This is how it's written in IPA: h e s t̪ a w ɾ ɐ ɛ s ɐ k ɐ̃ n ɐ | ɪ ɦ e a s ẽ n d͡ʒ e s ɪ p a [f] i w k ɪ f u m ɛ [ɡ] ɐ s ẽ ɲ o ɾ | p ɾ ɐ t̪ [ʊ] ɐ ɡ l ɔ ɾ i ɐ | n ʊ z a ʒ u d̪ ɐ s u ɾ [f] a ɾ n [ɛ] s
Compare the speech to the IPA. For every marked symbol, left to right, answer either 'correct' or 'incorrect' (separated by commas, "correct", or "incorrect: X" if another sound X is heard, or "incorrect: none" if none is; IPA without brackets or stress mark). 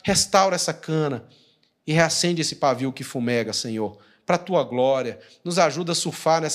incorrect: v, correct, incorrect: u, correct, correct